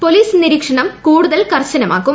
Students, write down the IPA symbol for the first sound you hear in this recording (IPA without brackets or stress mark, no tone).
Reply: p